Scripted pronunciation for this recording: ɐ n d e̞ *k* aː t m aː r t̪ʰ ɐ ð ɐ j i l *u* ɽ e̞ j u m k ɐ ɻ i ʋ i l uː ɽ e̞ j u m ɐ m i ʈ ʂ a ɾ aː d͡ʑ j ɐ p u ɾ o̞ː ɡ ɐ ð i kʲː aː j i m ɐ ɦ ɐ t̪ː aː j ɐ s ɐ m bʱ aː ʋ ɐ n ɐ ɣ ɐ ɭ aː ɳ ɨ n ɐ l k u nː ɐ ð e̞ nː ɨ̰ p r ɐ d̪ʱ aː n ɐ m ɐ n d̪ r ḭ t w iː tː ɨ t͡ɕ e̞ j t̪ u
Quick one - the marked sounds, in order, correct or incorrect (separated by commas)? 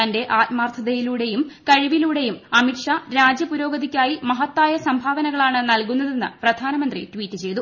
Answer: incorrect, incorrect